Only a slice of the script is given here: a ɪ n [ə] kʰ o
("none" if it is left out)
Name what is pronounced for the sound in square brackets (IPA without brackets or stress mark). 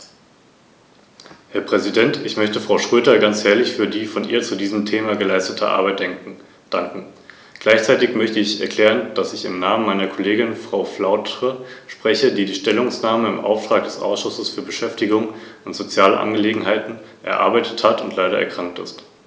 ɐ